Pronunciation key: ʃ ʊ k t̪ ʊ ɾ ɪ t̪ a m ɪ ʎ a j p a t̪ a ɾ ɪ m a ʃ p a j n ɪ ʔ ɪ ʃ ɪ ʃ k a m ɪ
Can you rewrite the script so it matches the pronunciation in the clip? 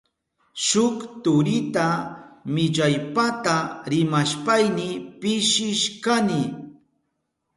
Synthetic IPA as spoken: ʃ ʊ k t̪ ʊ ɾ ɪ t̪ a m ɪ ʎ a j p a t̪ a ɾ ɪ m a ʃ p a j n ɪ p ɪ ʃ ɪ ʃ k a n ɪ